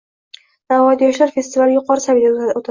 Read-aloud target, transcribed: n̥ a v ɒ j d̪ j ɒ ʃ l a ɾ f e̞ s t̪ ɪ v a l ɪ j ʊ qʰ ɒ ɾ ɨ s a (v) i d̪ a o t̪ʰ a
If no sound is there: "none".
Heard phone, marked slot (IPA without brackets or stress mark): v